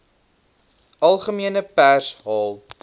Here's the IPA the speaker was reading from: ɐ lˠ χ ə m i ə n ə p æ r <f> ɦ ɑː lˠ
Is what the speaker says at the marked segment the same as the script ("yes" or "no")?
no